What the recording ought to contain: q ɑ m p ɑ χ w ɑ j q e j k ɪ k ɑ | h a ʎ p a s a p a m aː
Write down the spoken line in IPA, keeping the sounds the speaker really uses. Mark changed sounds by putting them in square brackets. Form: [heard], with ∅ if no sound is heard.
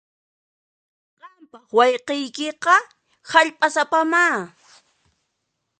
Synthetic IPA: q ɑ m p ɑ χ w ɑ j q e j k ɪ [q] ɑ | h a ʎ [pʼ] a s a p a m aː